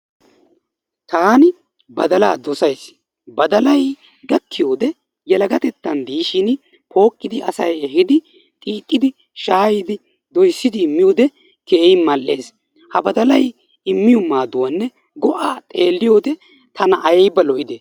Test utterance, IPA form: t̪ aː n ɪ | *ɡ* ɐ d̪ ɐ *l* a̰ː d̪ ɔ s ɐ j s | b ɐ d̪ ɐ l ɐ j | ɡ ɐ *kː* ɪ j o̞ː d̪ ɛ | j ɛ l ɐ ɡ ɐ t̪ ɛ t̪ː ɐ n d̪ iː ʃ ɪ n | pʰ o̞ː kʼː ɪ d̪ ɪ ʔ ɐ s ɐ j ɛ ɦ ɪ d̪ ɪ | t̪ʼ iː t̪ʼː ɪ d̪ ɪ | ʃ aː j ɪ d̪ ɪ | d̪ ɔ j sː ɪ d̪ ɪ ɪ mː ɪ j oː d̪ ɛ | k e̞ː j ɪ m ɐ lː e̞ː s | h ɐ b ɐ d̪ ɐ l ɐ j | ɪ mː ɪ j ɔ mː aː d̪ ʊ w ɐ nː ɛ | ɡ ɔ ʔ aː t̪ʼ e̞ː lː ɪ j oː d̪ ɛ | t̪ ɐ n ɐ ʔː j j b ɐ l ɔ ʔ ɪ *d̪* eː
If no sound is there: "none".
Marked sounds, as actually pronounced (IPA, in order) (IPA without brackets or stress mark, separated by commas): b, l, kː, d̪